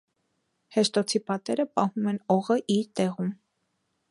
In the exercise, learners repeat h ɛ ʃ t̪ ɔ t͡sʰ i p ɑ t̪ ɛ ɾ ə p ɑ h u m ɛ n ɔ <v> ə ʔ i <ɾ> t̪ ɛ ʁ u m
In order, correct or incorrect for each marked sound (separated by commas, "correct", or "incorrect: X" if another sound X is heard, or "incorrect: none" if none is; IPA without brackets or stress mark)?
incorrect: ʁ, correct